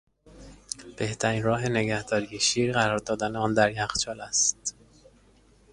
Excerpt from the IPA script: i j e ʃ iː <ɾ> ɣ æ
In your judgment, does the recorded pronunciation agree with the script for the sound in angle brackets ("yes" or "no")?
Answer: yes